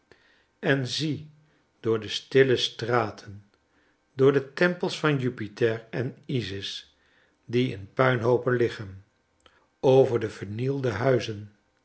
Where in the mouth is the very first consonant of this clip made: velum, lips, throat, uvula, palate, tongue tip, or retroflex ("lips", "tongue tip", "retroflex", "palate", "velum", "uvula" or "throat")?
tongue tip